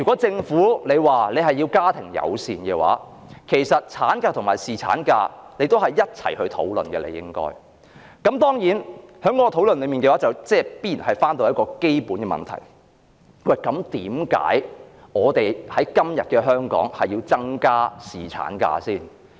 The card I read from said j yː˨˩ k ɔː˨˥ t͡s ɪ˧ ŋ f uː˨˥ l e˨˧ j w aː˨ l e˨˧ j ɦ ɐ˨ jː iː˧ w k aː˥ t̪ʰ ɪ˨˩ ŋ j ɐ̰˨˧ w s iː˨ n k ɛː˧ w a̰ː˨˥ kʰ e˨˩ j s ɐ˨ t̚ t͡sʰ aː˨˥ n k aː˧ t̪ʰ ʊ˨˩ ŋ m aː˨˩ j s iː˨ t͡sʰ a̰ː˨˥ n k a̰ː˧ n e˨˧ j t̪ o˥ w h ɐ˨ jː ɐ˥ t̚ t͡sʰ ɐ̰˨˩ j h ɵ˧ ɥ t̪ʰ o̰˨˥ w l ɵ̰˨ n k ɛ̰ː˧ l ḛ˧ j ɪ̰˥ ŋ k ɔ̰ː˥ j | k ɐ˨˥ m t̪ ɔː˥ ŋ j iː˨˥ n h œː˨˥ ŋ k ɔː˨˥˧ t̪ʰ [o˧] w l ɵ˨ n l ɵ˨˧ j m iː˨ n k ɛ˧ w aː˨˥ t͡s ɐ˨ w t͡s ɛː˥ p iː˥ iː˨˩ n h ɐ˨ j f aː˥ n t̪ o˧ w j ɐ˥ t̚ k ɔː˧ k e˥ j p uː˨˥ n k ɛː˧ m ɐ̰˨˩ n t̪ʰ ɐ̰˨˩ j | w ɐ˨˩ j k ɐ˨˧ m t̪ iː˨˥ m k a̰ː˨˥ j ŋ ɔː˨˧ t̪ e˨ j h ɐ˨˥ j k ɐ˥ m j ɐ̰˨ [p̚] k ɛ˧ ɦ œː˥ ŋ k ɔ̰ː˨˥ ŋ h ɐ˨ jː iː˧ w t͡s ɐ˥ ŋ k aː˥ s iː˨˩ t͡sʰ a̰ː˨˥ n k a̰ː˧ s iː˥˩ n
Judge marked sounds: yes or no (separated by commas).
no, no